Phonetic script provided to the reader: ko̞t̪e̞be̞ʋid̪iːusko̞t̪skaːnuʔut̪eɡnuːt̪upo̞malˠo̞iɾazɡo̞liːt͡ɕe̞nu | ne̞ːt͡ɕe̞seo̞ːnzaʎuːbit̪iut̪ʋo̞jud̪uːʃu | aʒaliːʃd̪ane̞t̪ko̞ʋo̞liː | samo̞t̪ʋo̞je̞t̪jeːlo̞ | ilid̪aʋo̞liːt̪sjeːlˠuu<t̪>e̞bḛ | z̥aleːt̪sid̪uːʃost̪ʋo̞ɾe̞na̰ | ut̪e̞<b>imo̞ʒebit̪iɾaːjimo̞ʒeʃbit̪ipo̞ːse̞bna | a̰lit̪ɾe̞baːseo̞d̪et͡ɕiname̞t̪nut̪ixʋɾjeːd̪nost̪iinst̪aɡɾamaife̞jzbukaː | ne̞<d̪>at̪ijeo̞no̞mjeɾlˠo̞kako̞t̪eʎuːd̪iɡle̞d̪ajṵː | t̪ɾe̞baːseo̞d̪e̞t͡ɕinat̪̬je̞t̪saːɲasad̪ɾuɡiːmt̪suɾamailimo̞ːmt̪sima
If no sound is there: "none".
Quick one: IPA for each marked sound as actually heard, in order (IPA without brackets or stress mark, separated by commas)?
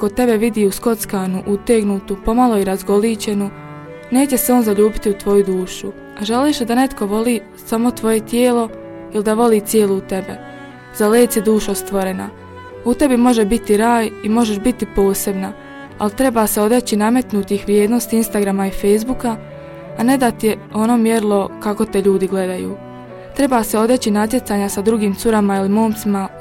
t̪, b, d̪